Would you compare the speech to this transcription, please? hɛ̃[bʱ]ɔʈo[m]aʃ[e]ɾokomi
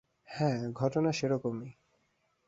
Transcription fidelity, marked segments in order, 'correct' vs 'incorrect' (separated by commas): incorrect, incorrect, correct